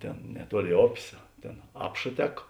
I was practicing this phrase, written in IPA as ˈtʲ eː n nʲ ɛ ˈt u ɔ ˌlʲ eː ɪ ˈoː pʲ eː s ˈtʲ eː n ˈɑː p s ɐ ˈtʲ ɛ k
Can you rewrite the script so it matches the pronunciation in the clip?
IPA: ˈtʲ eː n nʲ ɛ ˈt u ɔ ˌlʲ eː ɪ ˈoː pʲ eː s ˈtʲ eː n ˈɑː p ʃ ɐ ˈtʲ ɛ k